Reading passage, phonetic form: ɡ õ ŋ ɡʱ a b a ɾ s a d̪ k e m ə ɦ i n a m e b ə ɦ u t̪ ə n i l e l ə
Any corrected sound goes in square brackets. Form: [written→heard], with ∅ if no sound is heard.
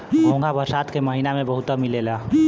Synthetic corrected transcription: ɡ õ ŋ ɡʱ a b [a→ə] ɾ s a [d̪→t̪] k e m ə ɦ i n a m e b ə ɦ u t̪ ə [n→m] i l e l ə